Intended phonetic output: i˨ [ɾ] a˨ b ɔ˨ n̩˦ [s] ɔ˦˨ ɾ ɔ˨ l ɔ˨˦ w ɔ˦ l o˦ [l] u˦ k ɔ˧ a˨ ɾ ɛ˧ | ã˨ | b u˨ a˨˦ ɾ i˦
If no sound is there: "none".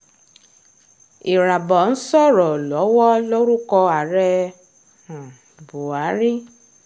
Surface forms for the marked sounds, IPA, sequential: ɾ, s, ɾ

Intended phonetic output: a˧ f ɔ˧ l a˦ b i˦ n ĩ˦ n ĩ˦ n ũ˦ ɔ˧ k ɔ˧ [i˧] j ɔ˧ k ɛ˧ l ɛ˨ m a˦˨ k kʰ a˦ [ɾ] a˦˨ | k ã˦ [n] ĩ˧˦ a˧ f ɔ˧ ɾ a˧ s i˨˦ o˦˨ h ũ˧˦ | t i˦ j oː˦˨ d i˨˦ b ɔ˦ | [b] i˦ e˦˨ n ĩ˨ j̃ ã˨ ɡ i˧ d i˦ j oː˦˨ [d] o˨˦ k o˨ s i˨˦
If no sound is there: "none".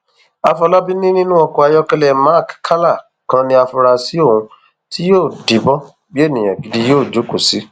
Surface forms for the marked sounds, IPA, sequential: a˧, l, n, b, d͡ʒ

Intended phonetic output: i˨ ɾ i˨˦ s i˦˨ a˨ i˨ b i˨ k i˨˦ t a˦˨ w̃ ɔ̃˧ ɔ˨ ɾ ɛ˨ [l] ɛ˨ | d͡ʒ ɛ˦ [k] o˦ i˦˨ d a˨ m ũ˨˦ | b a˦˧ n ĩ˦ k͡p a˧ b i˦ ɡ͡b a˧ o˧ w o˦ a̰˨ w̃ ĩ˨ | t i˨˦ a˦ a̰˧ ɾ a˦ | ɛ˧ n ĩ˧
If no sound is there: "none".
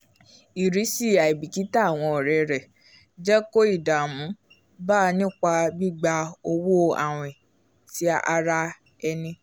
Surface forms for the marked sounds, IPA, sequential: ɾ, k

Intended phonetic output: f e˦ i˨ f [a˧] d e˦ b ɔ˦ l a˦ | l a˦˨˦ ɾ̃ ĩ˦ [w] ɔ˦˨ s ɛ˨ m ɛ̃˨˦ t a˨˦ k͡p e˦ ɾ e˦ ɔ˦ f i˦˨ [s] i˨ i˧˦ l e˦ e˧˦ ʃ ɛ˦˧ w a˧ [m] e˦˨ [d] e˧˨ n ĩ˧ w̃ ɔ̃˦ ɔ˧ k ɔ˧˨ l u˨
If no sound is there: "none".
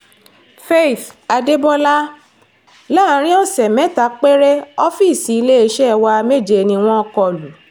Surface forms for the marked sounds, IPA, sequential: a˧, none, s, m, d͡ʒ

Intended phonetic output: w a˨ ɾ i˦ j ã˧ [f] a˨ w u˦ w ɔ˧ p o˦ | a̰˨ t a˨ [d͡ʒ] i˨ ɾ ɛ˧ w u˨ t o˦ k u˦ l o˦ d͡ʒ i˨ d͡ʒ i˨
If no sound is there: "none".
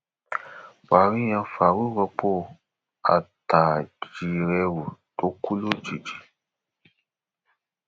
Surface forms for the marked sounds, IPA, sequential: f, d͡ʒ

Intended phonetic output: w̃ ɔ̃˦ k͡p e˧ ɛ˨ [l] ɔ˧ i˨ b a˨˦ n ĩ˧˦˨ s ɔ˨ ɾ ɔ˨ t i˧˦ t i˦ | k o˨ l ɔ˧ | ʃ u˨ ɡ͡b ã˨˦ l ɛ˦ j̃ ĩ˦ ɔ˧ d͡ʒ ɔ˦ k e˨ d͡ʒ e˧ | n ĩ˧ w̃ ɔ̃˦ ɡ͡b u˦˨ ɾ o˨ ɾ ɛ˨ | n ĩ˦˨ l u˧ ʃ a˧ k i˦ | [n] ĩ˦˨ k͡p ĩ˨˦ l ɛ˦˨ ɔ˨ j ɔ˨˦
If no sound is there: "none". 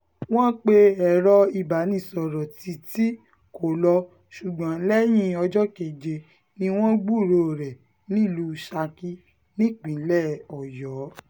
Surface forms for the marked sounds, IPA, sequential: ɾ, n

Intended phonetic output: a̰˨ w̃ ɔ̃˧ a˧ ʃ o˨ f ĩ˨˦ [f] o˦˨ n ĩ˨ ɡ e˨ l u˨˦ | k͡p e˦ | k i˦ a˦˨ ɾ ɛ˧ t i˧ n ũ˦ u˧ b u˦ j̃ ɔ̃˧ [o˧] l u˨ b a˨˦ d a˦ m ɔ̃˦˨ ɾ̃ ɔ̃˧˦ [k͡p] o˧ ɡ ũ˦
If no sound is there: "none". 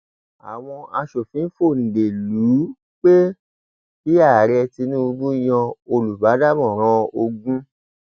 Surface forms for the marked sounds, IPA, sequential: f, o˧, none

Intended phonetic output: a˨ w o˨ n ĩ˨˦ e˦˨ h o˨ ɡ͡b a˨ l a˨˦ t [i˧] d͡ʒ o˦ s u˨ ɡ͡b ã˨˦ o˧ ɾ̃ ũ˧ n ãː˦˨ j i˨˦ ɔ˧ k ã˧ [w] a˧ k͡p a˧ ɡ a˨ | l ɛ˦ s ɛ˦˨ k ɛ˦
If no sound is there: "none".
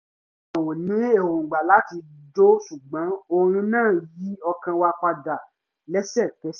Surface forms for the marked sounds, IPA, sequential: i˧, w

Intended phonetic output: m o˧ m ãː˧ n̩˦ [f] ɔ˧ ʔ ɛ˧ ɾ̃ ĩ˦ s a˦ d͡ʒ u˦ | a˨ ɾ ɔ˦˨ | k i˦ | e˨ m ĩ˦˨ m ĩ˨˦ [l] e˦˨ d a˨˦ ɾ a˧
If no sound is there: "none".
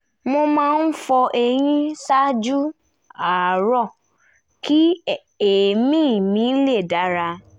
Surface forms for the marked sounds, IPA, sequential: f, l

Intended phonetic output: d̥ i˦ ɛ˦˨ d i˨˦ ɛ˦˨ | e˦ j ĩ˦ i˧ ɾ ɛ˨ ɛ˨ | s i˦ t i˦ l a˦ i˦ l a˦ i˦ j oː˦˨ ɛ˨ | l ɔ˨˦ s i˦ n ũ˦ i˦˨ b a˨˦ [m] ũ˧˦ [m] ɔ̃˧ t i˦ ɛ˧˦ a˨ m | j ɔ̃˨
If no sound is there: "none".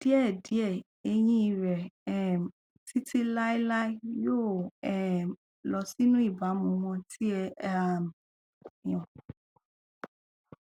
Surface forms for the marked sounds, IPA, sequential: m, m

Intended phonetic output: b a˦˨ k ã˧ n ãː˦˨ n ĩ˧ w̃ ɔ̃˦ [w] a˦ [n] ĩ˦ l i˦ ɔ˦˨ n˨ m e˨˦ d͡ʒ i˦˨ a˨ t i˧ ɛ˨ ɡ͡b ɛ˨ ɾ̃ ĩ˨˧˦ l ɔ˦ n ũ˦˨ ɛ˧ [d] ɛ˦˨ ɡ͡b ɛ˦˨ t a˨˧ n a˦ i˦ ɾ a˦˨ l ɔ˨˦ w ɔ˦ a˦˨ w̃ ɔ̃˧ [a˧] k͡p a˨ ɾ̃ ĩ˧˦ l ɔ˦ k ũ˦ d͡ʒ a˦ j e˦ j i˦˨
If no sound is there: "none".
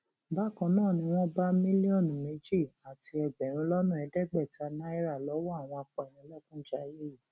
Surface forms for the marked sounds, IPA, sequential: b, m, d, a˧

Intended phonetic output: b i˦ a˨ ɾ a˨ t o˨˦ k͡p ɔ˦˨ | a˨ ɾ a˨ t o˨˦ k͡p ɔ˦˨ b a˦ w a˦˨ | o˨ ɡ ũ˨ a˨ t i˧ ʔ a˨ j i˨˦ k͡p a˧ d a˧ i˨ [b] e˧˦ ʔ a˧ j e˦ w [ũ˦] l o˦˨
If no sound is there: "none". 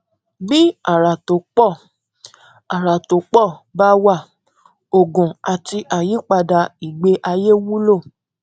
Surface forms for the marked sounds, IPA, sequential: ɡ͡b, u˦

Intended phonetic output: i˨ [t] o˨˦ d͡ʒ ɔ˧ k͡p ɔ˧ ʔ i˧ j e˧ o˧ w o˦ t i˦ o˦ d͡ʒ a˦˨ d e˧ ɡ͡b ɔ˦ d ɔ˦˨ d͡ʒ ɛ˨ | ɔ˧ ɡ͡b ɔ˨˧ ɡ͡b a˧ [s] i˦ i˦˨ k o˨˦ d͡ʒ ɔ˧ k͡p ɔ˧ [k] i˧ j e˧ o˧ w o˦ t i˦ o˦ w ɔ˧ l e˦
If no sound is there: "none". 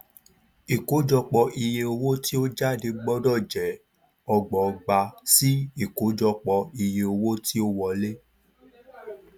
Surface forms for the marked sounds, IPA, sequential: k, s, none

